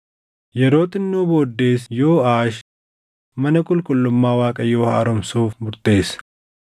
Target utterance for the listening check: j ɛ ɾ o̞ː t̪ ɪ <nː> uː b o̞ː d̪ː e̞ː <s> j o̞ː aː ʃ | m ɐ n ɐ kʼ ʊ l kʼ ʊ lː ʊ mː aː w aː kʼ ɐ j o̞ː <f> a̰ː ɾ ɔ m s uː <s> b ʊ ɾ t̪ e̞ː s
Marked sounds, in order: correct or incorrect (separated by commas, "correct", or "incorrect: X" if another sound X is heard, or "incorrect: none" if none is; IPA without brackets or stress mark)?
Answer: correct, correct, incorrect: h, incorrect: f